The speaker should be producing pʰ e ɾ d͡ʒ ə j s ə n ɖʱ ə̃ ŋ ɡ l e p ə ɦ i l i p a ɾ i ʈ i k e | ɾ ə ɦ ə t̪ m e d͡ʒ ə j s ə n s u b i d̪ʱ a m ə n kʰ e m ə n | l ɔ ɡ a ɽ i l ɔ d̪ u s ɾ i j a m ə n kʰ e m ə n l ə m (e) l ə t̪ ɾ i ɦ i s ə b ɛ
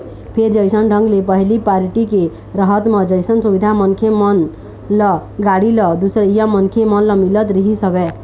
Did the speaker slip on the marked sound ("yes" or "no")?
yes